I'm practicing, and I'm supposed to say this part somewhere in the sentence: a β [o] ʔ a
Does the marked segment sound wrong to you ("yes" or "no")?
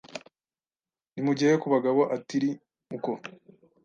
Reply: no